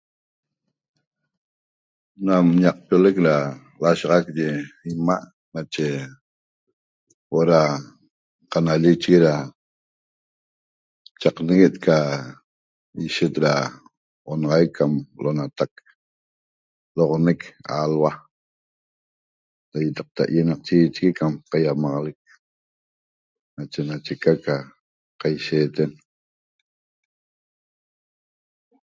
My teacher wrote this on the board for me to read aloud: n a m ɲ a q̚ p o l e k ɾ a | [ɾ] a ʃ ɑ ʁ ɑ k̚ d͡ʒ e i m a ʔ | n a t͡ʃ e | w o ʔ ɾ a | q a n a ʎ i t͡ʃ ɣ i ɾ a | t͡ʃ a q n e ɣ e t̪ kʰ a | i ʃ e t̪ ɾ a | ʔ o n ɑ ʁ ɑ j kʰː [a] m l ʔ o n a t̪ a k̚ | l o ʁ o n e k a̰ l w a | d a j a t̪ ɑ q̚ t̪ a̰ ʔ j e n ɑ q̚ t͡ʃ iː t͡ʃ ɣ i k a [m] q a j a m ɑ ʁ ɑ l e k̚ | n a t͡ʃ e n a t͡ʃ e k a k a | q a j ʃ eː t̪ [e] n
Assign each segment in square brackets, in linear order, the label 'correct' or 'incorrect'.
incorrect: l, correct, correct, correct

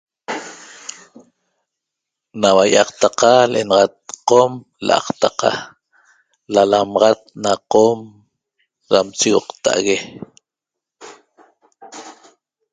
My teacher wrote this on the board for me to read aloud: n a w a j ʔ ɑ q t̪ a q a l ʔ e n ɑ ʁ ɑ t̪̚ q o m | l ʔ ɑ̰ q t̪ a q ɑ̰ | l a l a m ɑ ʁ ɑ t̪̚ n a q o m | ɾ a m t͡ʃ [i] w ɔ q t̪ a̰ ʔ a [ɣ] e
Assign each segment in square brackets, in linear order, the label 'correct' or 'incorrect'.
correct, correct

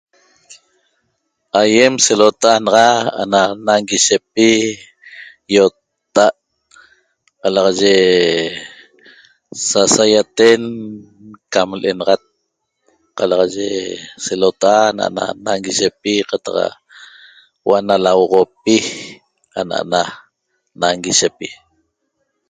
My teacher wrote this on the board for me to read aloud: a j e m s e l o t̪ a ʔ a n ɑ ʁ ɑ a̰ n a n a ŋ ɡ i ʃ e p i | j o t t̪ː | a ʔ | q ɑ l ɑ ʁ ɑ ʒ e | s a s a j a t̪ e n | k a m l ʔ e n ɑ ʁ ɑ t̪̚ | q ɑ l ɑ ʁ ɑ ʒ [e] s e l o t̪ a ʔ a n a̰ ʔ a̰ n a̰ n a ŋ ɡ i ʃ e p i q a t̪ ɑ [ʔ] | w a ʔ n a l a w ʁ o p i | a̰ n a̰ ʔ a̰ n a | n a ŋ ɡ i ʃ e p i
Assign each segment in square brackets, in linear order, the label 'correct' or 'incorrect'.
correct, incorrect: q

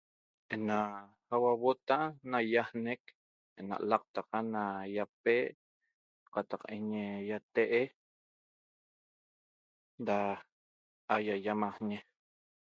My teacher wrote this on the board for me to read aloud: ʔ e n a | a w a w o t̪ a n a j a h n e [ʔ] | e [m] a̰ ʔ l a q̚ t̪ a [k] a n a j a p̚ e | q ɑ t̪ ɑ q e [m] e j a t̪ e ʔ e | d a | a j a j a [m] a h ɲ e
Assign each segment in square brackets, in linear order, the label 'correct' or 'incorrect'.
incorrect: k, incorrect: n, incorrect: q, incorrect: ɲ, correct

